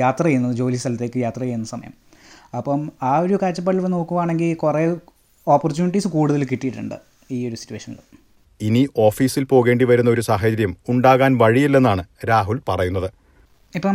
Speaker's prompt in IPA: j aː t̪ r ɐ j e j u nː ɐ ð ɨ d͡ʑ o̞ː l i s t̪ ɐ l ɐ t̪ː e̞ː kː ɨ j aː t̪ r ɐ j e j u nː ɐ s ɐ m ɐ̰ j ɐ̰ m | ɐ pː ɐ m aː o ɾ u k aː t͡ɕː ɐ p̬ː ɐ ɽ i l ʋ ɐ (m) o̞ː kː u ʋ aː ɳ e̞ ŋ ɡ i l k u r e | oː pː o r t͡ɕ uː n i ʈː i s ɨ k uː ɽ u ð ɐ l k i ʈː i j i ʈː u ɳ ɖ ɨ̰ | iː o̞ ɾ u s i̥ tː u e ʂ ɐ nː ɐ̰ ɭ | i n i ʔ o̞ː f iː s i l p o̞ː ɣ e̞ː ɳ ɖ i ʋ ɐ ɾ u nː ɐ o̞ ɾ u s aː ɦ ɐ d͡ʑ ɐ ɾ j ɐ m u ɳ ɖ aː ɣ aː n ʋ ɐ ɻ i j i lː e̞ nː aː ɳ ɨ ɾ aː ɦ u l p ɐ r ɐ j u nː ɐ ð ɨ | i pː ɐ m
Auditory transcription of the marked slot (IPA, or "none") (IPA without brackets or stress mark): n